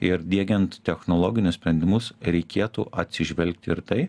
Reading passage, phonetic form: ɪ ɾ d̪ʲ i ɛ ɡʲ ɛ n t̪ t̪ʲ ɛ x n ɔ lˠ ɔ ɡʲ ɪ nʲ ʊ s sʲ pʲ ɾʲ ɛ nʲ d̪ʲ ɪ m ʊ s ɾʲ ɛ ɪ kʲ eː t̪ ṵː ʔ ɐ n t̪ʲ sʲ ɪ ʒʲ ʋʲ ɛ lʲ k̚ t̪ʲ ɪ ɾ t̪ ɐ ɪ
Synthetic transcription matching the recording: ɪ ɾ d̪ʲ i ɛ ɡʲ ɛ n t̪ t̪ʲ ɛ x n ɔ lˠ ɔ ɡʲ ɪ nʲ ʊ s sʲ pʲ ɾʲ ɛ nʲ d̪ʲ ɪ m ʊ s ɾʲ ɛ ɪ kʲ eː t̪ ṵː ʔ ɐ t̪ʲ sʲ ɪ ʒʲ ʋʲ ɛ lʲ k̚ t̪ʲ ɪ ɾ t̪ ɐ ɪ